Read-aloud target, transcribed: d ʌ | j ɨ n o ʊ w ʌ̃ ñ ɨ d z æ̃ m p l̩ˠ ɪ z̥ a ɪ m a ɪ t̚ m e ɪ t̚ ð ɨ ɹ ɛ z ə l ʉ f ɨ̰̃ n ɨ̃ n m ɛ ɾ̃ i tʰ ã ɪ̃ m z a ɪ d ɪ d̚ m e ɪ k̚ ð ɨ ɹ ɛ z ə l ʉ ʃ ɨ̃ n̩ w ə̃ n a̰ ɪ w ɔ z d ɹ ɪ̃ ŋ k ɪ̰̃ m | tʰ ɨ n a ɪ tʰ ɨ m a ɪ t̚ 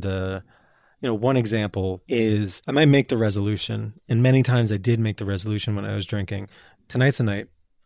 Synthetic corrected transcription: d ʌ | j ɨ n o ʊ w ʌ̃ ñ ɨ ɡ z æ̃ m p l̩ˠ ɪ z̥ a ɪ m a ɪ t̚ m e ɪ k̚ ð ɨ ɹ ɛ z ə l ʉ ʃ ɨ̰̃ n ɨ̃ n m ɛ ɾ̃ i tʰ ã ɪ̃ m z a ɪ d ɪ d̚ m e ɪ k̚ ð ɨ ɹ ɛ z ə l ʉ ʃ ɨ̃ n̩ w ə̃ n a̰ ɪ w ʌ z d ɹ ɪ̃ ŋ k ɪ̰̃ ŋ | tʰ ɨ n a ɪ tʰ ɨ n a ɪ t̚